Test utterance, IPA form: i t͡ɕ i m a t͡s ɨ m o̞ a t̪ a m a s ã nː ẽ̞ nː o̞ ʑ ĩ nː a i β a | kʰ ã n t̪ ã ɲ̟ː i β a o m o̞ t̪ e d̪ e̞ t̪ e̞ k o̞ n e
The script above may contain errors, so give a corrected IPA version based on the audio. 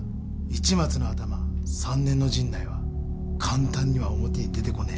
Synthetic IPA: i t͡ɕ i m a t͡s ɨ n o̞ a t̪ a m a s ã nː ẽ̞ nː o̞ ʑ ĩ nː a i β a | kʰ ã n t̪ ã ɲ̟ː i β a o m o̞ t̪ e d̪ e̞ t̪ e̞ k o̞ n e